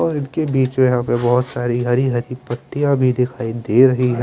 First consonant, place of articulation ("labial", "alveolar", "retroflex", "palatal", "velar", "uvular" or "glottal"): alveolar